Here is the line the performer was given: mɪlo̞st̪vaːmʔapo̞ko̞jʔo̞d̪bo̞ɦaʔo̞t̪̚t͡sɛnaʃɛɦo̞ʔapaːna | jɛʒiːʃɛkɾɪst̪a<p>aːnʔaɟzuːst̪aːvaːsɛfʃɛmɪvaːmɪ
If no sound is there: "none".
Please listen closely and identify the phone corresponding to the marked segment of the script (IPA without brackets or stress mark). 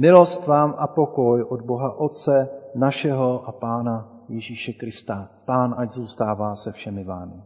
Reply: p